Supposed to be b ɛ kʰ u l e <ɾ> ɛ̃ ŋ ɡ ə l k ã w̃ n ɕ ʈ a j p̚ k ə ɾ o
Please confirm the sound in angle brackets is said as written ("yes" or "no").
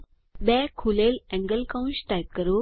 no